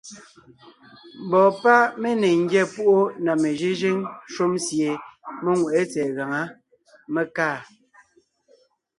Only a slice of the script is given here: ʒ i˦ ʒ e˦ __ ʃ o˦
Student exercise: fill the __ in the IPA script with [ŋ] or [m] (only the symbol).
ŋ